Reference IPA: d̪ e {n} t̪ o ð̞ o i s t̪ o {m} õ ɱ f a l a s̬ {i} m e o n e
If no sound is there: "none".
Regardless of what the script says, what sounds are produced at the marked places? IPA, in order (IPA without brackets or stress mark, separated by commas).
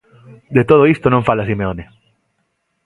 none, n, i